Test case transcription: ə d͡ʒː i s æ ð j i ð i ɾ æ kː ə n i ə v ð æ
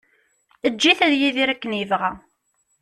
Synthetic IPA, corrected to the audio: ə d͡ʒː i θ æ ð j i ð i ɾ æ kː ə n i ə v ʁ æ